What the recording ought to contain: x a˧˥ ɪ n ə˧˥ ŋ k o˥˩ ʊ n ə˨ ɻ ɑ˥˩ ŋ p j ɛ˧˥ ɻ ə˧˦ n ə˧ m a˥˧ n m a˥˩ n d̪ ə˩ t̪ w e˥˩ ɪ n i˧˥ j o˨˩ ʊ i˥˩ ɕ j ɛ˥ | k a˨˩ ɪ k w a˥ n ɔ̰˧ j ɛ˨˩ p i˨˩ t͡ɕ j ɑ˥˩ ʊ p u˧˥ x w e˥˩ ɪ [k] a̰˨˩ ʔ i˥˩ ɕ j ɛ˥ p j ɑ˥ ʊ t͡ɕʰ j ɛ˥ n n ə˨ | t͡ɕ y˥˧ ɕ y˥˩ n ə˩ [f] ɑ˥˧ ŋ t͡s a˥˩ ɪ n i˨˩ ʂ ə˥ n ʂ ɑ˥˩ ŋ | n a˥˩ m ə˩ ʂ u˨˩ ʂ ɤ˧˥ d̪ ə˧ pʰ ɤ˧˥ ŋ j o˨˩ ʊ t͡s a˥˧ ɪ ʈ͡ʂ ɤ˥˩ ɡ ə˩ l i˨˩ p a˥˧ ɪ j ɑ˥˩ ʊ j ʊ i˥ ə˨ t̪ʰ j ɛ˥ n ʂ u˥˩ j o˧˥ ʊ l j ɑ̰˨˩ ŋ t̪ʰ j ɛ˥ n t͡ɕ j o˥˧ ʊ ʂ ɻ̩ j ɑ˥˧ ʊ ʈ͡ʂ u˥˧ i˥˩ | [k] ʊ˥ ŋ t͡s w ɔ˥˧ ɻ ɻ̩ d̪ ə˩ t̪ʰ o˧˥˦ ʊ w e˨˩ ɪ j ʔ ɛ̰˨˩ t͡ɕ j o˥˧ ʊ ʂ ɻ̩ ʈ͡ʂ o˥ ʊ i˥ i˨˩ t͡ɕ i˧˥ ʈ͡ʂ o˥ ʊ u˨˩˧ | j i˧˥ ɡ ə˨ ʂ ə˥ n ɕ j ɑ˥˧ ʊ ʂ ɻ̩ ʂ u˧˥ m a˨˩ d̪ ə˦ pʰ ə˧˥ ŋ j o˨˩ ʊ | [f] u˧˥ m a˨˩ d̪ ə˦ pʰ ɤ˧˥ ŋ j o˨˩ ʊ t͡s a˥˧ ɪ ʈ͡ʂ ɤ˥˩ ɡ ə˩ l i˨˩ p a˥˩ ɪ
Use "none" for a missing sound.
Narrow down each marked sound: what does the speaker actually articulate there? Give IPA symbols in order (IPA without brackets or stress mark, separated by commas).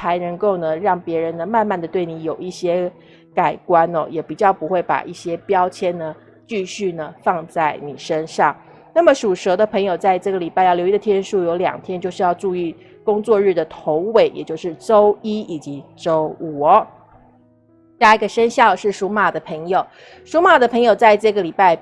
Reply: p, f, k, ʂ